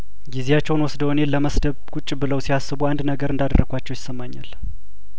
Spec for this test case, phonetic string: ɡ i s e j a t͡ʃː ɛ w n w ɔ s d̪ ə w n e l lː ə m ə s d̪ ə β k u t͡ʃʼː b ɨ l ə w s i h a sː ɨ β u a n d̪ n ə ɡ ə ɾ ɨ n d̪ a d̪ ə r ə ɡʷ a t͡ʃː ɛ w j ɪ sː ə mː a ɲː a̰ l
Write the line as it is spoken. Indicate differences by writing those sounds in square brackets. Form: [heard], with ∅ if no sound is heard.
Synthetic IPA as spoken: ɡ i [z] e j a t͡ʃː ɛ w n w ɔ s d̪ ə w n e l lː ə m ə s d̪ ə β k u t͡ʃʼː b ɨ l ə w s i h a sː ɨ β u a n d̪ n ə ɡ ə ɾ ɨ n d̪ a d̪ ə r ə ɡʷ a t͡ʃː ɛ w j ɪ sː ə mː a ɲː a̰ l